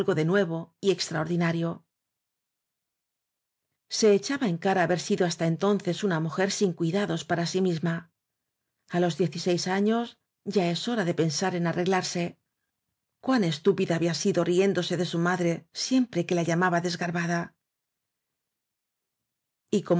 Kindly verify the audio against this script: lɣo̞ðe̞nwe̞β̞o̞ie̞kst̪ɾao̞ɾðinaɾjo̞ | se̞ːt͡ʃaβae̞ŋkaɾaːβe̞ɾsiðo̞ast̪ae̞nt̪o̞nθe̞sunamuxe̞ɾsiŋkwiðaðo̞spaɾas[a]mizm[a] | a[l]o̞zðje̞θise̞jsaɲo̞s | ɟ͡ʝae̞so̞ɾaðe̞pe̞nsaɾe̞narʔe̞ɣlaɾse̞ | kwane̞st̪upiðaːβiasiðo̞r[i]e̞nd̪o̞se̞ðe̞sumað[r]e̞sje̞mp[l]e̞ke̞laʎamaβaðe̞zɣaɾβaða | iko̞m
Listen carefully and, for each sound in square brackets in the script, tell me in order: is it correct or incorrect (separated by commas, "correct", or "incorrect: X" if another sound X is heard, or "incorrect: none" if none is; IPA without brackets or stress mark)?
incorrect: i, correct, correct, correct, incorrect: ɾ, incorrect: ɾ